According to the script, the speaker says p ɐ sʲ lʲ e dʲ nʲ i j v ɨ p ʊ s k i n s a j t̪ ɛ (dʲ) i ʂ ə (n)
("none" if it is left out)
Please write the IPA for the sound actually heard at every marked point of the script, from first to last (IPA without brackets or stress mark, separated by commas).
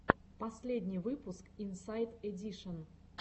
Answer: dʲ, n